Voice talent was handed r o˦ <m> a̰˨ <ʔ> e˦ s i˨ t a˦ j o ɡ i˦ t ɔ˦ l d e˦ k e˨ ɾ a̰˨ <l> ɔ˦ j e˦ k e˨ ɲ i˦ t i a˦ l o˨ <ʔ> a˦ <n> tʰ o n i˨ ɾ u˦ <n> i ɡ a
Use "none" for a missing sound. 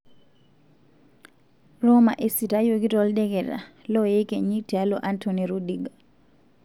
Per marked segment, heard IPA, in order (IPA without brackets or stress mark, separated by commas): m, ʔ, l, ʔ, n, d